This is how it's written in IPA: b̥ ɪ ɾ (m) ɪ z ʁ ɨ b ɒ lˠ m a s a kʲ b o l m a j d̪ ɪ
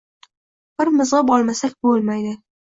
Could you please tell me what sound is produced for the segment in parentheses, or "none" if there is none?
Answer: m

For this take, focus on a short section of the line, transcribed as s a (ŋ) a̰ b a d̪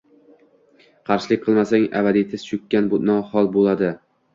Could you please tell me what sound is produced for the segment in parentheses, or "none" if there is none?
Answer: ŋ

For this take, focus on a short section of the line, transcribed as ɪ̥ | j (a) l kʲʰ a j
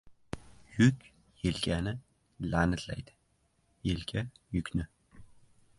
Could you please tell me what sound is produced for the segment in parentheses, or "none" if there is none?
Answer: e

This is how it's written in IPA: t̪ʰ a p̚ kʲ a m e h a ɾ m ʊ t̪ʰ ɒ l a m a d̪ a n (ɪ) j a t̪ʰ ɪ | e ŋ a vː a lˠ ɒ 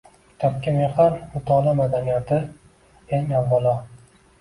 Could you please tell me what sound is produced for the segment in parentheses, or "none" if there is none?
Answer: i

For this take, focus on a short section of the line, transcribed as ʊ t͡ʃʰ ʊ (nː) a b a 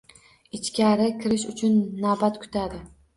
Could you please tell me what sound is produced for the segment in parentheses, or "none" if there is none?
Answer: nː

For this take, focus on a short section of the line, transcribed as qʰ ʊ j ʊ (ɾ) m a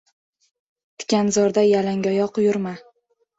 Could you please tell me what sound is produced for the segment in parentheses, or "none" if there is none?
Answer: ɾ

